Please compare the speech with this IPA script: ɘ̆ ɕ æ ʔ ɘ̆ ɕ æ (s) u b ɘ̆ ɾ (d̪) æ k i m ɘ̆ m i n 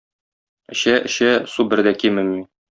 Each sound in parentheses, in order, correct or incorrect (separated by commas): correct, correct